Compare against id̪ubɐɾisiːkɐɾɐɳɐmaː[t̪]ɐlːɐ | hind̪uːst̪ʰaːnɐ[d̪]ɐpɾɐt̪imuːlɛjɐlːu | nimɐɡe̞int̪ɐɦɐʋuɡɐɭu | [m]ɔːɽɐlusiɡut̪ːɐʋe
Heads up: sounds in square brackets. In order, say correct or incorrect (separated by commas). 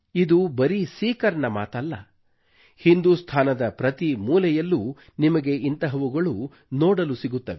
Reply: correct, correct, incorrect